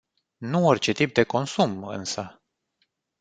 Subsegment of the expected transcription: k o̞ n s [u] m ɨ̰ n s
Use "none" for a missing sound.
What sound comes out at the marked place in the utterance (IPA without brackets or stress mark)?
u